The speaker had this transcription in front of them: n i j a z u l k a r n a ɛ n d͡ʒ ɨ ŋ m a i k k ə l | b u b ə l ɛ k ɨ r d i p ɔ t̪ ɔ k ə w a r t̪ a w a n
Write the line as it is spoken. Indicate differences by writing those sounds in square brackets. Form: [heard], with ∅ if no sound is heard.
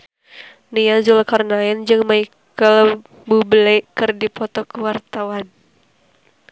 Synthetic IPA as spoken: n i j a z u l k a r n a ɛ n d͡ʒ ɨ ŋ m a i k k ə l | b u b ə l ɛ k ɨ r d i p ɔ t̪ ɔ k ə w a r t̪ a w a n